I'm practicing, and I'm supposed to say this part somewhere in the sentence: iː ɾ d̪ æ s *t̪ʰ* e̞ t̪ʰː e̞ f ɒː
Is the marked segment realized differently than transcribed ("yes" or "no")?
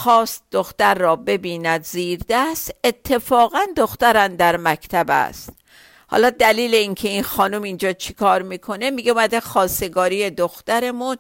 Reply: yes